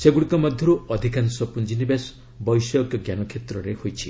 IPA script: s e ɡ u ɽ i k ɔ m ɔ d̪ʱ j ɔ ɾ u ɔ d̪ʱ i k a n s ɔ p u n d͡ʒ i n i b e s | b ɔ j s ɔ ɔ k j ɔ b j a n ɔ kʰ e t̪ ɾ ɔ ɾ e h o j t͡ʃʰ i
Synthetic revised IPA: s e ɡ u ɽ i k ɔ m ɔ d̪ʱ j ɔ ɾ u ɔ d̪ʱ i k a n s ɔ p u n d͡ʒ i n i b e s | b ɔ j s ɔ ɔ k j ɔ ɡ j a n ɔ kʰ e t̪ ɾ ɔ ɾ e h o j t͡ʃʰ i